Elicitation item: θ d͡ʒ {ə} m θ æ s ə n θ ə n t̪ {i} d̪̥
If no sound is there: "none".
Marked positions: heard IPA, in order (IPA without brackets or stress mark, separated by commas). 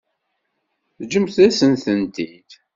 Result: ə, i